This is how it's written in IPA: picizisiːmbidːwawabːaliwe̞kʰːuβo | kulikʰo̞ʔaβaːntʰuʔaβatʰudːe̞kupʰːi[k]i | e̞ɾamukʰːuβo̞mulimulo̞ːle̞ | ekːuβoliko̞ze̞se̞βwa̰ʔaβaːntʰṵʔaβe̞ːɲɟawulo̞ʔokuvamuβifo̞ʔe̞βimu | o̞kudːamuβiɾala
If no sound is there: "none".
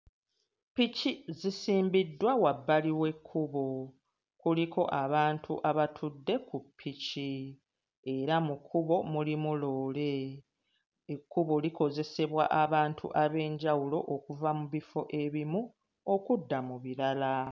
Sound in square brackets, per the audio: c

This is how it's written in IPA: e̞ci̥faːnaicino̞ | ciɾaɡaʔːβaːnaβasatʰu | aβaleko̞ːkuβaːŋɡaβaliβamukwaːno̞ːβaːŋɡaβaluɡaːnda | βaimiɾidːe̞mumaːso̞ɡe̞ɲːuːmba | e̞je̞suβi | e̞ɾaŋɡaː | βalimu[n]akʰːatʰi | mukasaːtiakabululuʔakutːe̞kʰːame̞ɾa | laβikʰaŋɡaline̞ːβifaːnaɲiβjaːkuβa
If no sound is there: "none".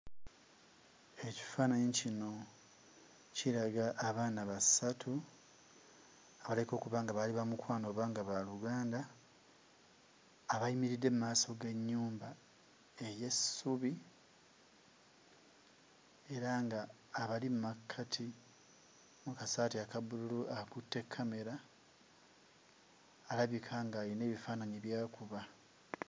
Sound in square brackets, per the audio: m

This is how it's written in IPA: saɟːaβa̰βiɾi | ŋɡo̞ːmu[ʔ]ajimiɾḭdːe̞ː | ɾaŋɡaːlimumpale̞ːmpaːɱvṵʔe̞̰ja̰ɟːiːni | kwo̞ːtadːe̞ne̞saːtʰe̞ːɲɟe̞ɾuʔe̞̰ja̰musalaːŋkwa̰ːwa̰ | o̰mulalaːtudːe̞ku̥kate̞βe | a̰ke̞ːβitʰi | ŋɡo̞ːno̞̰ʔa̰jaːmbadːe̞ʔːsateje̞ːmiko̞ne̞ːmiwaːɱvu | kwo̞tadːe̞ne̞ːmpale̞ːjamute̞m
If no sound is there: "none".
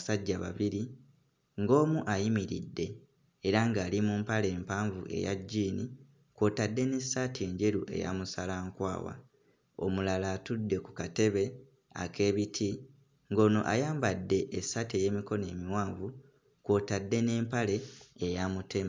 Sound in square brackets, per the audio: ʔ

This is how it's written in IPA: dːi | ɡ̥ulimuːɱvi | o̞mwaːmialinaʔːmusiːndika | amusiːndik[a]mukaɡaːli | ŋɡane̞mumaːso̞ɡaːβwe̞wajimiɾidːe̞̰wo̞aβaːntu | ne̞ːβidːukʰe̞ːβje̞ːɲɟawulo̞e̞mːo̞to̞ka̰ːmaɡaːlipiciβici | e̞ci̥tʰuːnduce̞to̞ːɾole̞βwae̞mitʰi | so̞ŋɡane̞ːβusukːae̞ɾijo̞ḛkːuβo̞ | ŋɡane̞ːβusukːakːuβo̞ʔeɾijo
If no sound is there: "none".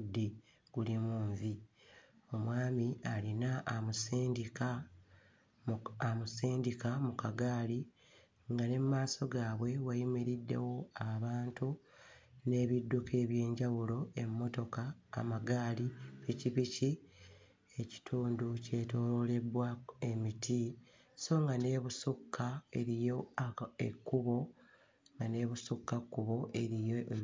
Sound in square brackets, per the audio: a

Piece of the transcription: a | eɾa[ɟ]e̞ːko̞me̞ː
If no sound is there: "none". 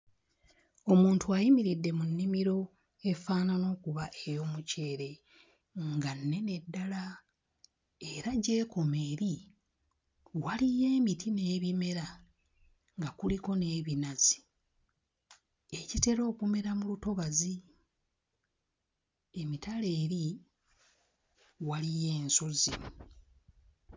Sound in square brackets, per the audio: ɟ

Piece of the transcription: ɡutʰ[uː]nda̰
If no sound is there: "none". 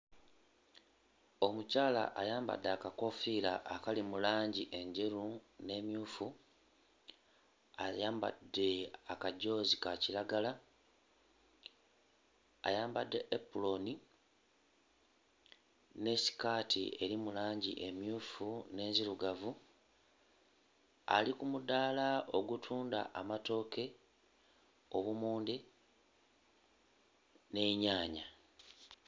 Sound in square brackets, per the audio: uː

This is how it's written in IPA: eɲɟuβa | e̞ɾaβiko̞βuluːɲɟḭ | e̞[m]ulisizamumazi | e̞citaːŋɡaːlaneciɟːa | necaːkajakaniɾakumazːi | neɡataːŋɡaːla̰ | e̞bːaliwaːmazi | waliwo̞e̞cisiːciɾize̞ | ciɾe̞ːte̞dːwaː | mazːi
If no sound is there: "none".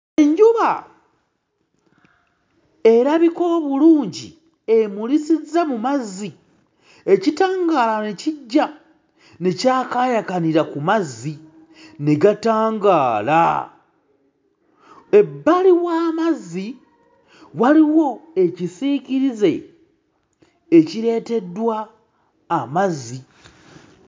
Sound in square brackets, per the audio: m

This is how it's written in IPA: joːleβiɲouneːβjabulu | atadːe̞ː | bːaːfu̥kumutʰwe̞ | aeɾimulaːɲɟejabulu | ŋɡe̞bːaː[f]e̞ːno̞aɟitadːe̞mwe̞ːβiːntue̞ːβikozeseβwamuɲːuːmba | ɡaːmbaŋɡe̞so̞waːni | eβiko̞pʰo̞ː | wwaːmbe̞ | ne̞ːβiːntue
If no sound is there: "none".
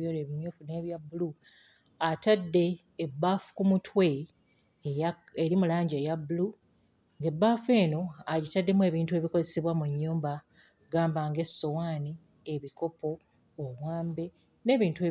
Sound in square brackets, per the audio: f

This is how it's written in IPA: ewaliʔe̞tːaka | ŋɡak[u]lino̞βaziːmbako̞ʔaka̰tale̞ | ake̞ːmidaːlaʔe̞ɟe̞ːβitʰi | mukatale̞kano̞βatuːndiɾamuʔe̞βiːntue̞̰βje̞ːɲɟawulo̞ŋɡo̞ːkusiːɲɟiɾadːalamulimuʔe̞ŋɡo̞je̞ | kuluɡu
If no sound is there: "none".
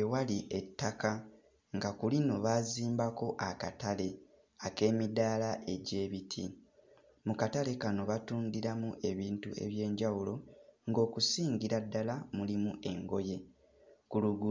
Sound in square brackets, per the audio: u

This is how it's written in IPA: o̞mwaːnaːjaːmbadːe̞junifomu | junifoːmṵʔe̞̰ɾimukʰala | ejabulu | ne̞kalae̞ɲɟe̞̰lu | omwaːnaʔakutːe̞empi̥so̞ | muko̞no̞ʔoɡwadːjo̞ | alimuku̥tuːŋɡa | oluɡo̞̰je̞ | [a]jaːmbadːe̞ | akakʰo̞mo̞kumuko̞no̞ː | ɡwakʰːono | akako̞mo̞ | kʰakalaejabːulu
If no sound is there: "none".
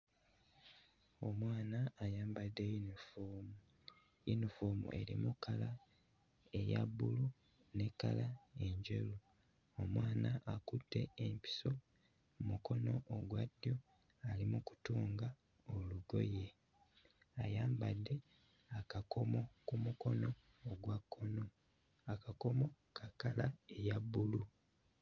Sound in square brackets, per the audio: a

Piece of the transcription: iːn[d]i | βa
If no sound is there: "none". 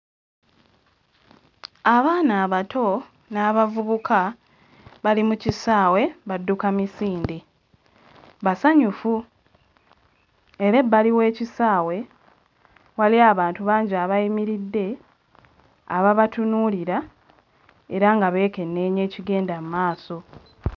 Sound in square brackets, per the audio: d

